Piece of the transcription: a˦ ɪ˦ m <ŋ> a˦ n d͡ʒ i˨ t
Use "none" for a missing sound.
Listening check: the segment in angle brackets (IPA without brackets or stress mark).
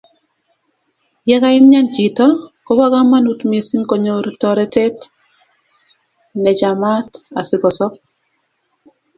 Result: ɲ